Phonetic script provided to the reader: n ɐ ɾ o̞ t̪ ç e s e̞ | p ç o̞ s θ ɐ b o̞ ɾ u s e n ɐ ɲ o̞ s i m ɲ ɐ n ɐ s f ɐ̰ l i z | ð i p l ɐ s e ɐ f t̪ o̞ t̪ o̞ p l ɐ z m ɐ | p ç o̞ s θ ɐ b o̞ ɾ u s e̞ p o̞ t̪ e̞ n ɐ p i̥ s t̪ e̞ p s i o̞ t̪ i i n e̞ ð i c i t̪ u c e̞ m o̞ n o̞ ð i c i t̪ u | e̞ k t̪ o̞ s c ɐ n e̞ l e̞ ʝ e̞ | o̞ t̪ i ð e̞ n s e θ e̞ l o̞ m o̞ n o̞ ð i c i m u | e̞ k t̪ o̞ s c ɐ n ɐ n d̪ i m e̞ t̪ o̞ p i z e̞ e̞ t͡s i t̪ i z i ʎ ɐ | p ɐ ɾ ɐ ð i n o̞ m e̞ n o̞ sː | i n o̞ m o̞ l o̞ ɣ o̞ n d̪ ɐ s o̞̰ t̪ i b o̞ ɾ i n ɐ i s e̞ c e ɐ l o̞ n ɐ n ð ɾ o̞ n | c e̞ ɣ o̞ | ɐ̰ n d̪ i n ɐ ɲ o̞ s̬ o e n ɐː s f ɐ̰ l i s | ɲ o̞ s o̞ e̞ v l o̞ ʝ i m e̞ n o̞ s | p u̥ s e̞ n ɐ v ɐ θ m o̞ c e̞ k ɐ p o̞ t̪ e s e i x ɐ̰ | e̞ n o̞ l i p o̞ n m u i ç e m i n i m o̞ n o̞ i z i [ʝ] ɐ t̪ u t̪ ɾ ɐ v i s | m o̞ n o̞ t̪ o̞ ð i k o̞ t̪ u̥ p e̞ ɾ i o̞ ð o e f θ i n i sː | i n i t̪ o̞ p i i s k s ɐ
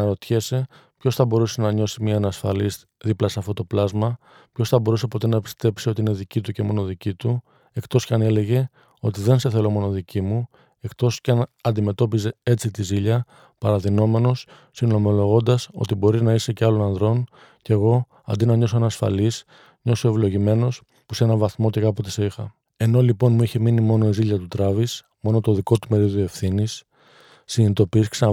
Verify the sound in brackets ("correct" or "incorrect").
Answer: incorrect